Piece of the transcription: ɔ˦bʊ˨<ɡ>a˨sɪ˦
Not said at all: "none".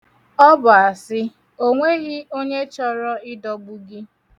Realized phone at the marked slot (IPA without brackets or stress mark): none